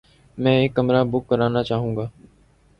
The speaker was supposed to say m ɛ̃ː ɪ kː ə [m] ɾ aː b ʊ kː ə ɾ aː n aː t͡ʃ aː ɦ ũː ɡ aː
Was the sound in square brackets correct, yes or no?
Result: yes